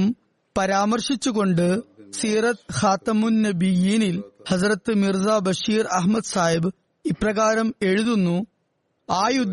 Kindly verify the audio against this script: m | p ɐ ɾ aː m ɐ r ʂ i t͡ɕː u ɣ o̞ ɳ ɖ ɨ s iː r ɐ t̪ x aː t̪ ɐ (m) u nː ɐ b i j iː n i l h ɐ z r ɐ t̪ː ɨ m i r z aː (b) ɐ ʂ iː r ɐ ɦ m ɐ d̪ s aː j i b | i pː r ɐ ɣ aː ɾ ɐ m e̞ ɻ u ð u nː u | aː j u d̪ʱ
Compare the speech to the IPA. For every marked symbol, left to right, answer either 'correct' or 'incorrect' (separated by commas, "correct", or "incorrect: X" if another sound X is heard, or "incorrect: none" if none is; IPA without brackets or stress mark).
correct, correct